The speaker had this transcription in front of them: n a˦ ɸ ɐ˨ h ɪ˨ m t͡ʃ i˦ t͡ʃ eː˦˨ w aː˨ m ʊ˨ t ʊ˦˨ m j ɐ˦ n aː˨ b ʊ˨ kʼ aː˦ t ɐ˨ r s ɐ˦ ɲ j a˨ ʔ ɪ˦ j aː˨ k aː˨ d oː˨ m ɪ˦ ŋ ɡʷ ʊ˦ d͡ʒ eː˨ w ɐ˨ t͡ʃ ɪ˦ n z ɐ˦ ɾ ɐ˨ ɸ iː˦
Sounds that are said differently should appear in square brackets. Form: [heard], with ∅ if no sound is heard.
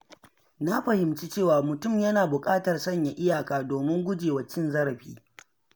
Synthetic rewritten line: n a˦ ɸ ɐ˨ h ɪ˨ m t͡ʃ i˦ t͡ʃ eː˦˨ w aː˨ m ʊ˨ t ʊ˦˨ m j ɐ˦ n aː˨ b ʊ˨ kʼ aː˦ t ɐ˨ r s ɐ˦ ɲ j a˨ ʔ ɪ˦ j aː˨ k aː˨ d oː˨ m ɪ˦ ŋ ɡʷ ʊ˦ d͡ʒ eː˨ w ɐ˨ t͡ʃ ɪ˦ n z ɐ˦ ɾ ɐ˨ ɸ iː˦